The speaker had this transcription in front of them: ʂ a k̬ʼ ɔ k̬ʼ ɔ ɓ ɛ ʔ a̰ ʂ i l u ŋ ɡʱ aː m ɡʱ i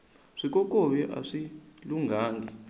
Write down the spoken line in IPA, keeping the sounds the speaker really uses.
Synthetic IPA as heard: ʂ i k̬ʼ ɔ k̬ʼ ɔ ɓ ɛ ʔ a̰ ʂ i l u ŋ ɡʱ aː ŋ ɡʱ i